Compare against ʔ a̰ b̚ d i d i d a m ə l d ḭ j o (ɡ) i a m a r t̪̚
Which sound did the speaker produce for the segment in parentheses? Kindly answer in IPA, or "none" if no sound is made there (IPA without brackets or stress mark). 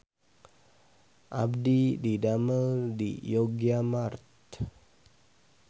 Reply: ɡ